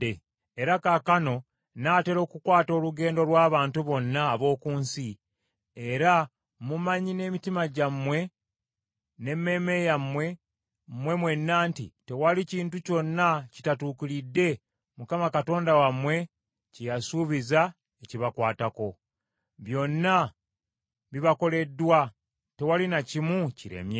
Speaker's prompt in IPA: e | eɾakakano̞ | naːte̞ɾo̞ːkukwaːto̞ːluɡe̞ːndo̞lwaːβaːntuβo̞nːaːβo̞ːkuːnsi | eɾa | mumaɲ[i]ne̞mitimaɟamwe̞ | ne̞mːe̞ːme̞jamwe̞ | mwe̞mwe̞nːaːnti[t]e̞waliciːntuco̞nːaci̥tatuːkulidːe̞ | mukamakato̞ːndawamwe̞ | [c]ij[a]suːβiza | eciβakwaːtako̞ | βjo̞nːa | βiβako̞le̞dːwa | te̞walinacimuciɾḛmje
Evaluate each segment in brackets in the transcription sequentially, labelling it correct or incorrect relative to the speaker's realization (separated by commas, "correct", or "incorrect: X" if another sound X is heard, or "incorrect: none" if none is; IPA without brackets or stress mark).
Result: correct, correct, correct, correct